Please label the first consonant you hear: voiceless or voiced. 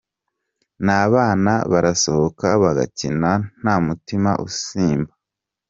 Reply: voiced